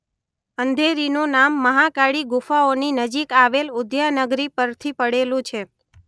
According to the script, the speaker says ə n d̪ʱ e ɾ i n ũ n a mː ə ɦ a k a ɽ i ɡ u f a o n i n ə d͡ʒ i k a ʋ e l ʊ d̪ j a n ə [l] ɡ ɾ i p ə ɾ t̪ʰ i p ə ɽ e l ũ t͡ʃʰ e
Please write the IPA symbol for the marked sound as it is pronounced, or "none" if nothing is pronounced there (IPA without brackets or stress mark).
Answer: none